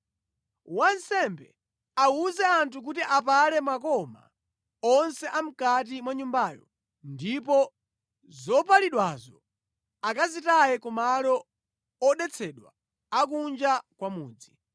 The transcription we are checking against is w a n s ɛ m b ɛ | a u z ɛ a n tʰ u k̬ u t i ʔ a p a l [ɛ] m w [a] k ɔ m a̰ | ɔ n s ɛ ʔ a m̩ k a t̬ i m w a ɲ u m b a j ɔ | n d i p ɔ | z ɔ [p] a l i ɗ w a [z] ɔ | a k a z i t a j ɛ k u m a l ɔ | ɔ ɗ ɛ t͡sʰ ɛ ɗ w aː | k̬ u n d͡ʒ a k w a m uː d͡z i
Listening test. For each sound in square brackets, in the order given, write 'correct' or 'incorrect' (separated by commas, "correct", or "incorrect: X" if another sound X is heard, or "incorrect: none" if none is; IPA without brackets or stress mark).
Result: correct, correct, correct, correct